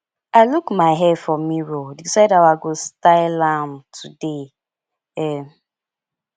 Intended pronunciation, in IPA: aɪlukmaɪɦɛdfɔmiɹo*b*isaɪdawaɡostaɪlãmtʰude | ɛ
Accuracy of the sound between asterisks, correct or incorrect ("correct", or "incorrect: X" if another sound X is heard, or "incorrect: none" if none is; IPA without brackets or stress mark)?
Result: incorrect: d